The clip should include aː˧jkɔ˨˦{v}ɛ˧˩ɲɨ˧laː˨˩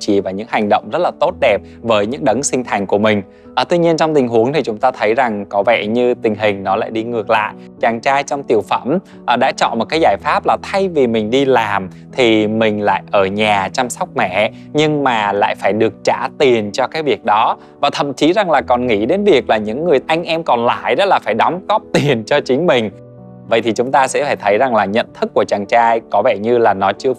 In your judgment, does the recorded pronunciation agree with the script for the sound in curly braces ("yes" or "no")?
yes